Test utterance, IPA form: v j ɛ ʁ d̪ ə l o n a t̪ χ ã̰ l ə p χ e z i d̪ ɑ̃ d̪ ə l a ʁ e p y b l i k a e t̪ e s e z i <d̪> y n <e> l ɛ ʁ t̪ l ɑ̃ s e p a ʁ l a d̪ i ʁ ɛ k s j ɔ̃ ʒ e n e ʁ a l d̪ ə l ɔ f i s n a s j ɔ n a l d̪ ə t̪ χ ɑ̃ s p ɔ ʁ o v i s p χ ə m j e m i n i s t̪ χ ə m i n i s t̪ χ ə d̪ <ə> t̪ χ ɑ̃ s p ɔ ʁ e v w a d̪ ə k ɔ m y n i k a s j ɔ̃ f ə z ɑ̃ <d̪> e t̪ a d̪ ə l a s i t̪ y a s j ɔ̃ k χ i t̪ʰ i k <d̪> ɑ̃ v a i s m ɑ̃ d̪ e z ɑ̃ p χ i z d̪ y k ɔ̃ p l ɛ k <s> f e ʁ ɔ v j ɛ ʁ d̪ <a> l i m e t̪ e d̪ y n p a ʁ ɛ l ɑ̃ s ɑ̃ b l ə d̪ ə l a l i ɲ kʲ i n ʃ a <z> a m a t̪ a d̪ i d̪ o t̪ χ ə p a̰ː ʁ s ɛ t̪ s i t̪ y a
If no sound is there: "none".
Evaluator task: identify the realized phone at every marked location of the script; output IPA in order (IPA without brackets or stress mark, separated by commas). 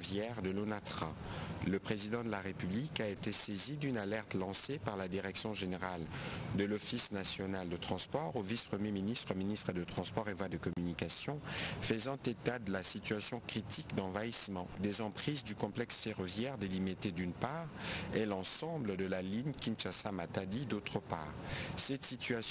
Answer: d̪, a, ə, t̪, d̪, s, e, s